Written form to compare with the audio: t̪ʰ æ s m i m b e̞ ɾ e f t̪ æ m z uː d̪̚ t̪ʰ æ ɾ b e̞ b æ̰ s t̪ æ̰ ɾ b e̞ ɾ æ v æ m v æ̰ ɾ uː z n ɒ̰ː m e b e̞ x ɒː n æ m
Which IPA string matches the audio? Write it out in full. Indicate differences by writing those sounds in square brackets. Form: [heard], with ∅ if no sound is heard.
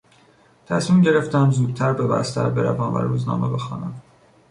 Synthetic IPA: t̪ʰ æ s m i m [ɟ] e̞ ɾ e f t̪ æ m z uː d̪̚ t̪ʰ æ ɾ b e̞ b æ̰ s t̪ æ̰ ɾ b e̞ ɾ æ v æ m v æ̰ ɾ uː z n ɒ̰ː m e b e̞ x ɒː n æ m